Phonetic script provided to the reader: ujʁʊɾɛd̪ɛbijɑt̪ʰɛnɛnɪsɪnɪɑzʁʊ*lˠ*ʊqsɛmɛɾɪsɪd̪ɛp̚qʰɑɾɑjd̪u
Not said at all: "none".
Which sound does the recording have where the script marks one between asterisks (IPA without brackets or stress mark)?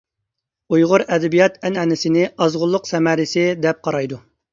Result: lˠː